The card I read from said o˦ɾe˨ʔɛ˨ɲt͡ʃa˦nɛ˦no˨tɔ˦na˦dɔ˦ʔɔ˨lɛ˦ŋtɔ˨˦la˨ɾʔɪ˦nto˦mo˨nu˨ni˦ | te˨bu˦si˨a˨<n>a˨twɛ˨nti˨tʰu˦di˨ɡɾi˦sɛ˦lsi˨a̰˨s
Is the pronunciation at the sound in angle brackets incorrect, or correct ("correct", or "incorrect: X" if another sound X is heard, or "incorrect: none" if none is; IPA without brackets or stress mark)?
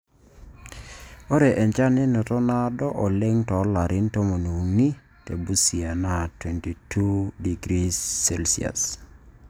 correct